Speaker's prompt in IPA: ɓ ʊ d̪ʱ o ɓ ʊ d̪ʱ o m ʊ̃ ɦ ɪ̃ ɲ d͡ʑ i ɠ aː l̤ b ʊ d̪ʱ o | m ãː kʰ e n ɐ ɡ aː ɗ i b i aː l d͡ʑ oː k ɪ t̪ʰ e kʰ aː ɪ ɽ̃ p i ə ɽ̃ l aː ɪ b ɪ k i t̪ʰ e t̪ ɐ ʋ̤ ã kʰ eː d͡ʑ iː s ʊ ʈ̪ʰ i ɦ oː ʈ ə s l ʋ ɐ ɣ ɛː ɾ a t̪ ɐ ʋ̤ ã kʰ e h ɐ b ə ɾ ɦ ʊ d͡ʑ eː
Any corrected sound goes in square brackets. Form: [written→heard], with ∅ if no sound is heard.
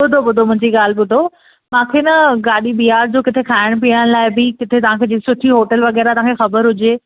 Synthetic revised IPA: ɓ ʊ d̪ʱ o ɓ ʊ d̪ʱ o m ʊ̃ ɦ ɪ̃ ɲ d͡ʑ i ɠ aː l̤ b ʊ d̪ʱ o | m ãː kʰ e n ɐ ɡ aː ɗ i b i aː [l→ɾ] d͡ʑ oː k ɪ t̪ʰ e kʰ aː ɪ ɽ̃ p i ə ɽ̃ l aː ɪ b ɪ k [i→ɪ] t̪ʰ e t̪ ɐ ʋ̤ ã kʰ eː d͡ʑ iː s ʊ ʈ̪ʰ i ɦ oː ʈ ə [s→∅] l ʋ ɐ ɣ ɛː ɾ a t̪ ɐ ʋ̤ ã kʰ e [h→x] ɐ b ə ɾ ɦ ʊ d͡ʑ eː